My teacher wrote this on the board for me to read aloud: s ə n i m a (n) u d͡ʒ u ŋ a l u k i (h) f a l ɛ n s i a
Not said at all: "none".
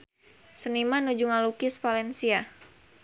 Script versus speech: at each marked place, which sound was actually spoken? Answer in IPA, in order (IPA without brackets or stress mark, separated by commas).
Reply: n, s